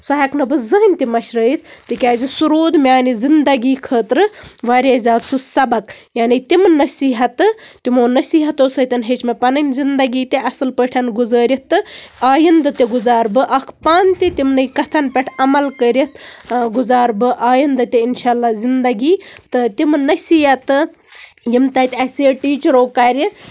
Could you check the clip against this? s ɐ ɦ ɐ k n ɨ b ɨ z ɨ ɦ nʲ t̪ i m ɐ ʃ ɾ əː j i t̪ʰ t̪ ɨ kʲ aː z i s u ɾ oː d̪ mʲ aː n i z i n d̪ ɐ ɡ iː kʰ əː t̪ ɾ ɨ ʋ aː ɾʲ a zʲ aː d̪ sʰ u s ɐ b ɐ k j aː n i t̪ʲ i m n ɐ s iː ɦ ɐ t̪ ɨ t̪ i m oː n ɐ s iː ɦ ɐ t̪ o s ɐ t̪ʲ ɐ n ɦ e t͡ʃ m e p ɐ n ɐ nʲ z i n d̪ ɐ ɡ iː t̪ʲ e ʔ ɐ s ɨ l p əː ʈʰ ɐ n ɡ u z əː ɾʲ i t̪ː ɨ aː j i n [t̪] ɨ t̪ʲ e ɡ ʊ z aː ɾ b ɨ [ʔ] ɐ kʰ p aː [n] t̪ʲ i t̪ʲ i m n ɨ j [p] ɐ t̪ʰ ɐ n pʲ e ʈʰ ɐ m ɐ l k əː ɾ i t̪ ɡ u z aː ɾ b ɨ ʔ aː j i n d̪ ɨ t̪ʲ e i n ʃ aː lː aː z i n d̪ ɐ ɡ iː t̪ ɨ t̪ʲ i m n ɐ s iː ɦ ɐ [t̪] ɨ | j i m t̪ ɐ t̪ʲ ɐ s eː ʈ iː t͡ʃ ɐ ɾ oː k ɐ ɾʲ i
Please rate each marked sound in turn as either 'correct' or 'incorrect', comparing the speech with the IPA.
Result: incorrect, correct, correct, incorrect, correct

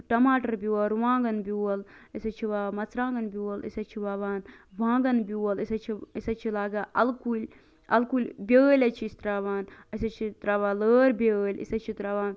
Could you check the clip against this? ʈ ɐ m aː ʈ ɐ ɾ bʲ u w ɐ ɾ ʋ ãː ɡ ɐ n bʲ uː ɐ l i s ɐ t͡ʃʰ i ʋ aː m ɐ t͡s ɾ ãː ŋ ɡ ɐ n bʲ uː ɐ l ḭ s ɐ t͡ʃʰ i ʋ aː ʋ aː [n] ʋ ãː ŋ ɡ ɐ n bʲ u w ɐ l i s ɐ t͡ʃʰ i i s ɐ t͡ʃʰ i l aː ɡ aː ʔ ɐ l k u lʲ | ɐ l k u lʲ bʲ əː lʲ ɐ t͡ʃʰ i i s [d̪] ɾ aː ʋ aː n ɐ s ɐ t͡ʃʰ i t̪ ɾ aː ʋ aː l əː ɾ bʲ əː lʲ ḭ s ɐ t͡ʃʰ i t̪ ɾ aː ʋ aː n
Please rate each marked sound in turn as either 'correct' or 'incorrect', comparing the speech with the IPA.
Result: correct, incorrect

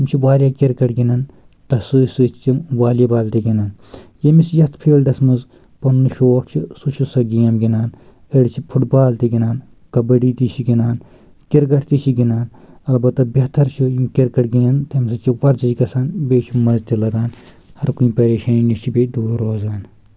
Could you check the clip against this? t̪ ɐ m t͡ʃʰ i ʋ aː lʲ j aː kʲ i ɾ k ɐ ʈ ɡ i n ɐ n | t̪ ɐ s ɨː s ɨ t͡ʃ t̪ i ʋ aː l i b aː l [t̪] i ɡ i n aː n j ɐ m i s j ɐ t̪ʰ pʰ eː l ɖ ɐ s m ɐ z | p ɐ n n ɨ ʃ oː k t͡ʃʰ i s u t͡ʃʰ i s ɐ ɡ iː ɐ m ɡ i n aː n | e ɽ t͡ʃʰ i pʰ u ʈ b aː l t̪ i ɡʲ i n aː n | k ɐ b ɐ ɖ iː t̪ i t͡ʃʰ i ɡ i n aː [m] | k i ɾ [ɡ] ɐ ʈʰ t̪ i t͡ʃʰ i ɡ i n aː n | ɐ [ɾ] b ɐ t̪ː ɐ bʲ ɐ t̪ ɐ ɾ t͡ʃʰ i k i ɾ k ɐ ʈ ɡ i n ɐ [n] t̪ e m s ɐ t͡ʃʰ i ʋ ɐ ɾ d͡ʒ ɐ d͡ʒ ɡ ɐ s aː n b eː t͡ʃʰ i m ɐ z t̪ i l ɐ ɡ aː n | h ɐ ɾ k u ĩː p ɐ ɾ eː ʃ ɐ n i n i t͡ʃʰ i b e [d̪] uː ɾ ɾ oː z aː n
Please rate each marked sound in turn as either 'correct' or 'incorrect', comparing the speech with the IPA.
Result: correct, incorrect, correct, incorrect, correct, correct

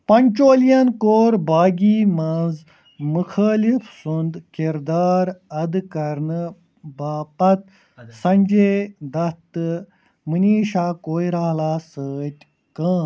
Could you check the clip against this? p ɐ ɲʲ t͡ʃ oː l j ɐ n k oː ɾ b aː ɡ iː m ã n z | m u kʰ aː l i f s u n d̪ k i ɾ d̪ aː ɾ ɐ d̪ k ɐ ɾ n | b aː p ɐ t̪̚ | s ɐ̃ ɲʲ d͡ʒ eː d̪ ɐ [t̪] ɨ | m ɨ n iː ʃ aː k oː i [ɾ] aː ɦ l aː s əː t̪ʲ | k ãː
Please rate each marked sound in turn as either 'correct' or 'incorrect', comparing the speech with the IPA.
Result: correct, correct

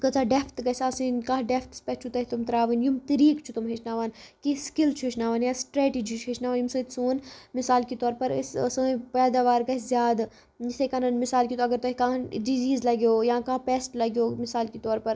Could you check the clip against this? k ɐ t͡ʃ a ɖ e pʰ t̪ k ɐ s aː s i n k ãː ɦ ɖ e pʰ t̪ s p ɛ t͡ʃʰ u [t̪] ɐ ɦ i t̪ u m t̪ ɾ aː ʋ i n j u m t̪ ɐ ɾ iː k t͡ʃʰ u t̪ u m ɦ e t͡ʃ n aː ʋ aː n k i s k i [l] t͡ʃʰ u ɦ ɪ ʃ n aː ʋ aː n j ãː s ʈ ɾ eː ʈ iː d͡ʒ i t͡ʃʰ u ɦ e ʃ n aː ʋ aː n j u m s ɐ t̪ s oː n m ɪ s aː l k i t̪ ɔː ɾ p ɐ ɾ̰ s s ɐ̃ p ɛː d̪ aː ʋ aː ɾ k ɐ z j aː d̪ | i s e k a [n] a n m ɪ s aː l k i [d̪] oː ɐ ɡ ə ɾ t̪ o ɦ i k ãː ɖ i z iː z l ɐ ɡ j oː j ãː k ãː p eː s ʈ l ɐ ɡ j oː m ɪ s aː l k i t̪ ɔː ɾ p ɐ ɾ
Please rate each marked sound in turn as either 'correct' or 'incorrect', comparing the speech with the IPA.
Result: correct, correct, correct, incorrect

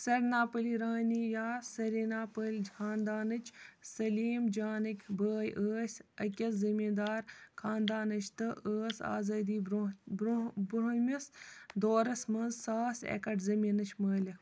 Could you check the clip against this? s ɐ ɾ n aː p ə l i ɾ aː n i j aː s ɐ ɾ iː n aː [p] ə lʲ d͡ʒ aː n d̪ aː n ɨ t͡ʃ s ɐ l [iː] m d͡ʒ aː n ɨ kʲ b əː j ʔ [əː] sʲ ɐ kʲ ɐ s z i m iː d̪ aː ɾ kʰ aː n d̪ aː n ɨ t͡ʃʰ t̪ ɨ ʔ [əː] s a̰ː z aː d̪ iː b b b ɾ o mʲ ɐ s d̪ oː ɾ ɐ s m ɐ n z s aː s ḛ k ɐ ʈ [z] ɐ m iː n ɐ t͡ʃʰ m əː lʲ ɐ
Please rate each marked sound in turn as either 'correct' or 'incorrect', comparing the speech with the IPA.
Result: correct, correct, correct, correct, correct

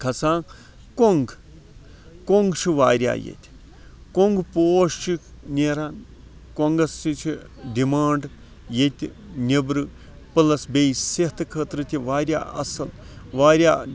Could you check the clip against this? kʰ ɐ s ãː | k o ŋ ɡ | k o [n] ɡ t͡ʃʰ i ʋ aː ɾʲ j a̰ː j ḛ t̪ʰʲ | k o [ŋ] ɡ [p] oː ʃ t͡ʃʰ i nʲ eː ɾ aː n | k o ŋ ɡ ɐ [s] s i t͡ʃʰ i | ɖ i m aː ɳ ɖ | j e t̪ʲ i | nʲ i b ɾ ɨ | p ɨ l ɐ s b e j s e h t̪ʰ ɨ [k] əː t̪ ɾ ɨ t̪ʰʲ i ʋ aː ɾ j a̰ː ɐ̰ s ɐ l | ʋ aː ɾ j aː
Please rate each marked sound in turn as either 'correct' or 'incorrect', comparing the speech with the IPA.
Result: incorrect, correct, correct, correct, incorrect

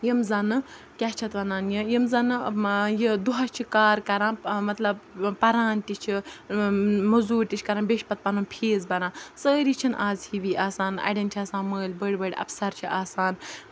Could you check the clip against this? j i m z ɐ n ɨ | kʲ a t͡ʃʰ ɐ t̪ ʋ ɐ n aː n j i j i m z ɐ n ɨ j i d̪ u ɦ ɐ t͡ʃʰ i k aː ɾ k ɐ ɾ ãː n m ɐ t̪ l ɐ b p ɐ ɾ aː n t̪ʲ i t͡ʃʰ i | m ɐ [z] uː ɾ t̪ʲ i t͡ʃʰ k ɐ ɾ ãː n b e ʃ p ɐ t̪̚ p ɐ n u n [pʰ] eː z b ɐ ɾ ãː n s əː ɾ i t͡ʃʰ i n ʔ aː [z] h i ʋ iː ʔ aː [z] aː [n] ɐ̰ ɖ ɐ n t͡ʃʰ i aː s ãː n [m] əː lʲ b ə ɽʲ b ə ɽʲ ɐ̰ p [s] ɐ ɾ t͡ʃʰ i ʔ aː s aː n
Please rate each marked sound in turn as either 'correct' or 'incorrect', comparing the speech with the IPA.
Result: correct, correct, correct, incorrect, correct, correct, correct

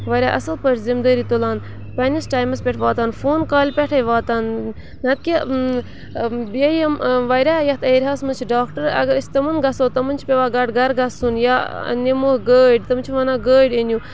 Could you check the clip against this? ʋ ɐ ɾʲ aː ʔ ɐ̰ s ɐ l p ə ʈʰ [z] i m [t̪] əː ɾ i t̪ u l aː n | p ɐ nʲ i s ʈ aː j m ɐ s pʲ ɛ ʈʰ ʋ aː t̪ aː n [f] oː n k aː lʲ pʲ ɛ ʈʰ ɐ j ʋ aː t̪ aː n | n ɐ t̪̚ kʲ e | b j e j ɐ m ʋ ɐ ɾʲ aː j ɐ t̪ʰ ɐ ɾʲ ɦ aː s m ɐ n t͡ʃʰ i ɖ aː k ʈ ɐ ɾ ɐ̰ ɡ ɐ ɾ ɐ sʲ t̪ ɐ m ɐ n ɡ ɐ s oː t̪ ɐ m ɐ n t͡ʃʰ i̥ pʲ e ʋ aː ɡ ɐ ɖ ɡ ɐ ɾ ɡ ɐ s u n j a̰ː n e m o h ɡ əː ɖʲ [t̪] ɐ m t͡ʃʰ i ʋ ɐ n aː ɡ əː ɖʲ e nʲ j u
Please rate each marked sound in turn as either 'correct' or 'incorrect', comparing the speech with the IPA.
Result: correct, incorrect, correct, correct

